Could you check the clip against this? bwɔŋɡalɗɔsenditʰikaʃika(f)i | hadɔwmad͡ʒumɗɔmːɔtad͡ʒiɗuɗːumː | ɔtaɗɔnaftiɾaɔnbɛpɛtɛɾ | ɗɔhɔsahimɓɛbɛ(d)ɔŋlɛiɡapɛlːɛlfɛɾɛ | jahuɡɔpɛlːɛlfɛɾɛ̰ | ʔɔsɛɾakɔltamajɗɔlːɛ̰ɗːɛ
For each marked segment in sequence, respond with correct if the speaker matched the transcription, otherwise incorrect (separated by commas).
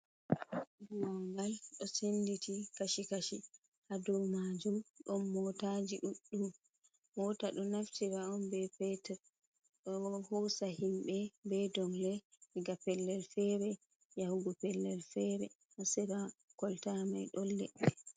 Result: incorrect, correct